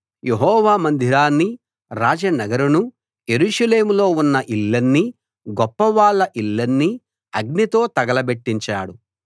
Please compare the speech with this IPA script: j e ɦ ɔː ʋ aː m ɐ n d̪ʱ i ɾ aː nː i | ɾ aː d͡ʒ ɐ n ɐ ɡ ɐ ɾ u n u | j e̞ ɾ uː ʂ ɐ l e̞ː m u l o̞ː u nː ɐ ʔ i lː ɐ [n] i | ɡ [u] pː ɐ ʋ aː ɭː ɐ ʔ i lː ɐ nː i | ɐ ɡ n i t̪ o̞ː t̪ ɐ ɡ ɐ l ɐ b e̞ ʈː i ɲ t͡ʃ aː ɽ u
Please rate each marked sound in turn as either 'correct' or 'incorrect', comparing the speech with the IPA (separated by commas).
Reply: incorrect, incorrect